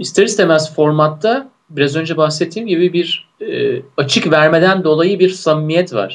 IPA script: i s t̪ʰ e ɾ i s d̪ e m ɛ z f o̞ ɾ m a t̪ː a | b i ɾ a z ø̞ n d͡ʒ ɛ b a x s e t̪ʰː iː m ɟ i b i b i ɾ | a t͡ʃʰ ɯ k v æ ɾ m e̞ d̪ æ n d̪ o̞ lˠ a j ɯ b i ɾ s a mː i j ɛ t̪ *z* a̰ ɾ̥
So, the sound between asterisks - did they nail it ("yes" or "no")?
no